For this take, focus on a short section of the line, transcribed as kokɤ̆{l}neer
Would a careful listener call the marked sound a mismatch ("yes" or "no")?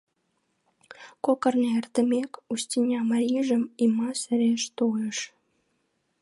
yes